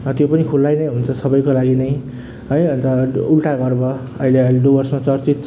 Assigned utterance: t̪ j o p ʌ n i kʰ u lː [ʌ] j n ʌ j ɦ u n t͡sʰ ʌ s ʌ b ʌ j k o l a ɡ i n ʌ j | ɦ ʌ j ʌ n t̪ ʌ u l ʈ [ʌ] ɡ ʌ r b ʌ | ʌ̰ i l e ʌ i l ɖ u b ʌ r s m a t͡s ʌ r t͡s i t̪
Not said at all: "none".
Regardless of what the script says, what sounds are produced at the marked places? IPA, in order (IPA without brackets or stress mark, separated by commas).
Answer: a, a